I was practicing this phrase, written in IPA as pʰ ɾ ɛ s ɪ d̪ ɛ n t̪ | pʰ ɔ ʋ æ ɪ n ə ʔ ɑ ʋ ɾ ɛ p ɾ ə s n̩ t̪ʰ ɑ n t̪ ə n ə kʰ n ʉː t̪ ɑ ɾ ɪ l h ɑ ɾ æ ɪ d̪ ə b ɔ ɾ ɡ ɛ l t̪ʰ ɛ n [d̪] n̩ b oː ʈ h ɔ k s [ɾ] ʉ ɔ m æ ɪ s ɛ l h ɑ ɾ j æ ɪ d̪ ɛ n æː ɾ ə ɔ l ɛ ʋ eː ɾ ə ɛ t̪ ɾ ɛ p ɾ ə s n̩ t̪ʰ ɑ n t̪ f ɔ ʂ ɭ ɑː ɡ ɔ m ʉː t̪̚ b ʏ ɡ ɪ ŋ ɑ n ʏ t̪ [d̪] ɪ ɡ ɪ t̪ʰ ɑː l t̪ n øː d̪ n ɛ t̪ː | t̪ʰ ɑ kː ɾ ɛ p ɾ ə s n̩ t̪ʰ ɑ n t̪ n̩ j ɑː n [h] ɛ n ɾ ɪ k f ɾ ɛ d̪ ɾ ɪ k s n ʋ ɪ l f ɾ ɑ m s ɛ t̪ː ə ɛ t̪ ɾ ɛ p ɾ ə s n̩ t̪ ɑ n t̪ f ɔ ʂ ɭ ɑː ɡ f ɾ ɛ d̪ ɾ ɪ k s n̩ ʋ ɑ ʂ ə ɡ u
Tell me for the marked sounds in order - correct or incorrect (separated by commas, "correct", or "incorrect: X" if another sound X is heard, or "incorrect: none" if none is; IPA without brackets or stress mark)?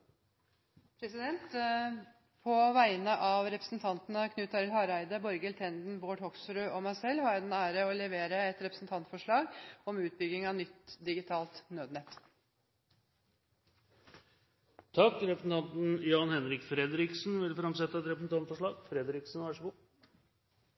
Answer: correct, correct, correct, correct